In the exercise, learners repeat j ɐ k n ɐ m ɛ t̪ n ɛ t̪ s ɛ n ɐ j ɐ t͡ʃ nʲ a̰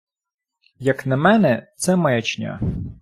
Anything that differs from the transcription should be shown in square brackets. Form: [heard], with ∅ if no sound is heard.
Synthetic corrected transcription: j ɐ k n ɐ m ɛ [∅] n ɛ t̪ s ɛ [m] ɐ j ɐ t͡ʃ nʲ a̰